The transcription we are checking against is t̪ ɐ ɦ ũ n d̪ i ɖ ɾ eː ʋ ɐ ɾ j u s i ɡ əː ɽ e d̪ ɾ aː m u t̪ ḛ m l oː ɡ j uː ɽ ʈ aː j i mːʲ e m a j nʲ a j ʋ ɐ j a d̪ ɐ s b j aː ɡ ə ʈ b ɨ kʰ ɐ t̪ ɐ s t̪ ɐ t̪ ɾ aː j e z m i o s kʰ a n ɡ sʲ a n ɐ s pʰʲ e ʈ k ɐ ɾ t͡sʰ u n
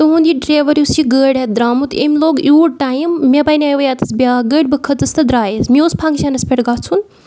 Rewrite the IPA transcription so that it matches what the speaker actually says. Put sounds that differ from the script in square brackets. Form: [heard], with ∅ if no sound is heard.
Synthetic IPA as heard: t̪ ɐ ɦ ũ n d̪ i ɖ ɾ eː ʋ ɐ ɾ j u s i ɡ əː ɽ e d̪ ɾ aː m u t̪ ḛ m l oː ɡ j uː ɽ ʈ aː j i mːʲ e [b] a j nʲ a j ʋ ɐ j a [t̪] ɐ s b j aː ɡ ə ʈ b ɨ kʰ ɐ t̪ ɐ s t̪ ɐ [d̪] ɾ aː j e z m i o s [pʰ] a [ŋ] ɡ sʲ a n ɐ s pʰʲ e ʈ [ɡ] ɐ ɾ t͡sʰ u n